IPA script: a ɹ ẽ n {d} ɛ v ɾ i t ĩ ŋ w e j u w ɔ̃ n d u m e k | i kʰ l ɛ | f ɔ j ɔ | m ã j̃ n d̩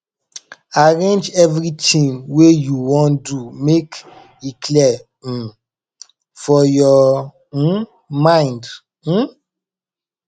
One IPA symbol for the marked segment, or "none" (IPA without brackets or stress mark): d͡ʒ